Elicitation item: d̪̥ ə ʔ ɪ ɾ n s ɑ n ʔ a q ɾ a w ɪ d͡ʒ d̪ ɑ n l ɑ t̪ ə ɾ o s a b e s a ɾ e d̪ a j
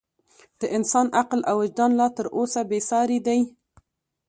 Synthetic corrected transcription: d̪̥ ə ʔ ɪ n s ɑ n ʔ a q l a w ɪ d͡ʒ d̪ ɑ n l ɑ t̪ ə ɾ o s a b e s ɑ ɾ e d̪ a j